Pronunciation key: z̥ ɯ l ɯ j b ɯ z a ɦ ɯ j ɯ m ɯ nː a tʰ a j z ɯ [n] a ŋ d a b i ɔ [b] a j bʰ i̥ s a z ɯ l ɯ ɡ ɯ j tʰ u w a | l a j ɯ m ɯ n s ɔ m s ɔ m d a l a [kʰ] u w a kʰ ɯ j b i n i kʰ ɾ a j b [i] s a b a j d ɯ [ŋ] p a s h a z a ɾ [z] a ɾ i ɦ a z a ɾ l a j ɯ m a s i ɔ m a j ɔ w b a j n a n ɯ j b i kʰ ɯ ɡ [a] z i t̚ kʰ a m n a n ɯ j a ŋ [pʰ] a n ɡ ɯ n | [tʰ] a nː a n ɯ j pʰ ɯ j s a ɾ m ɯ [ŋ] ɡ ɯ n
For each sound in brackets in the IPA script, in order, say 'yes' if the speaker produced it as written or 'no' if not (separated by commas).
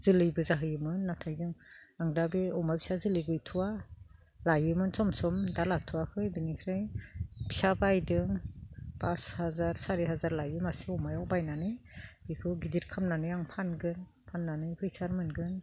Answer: no, no, no, yes, yes, no, no, yes, no, no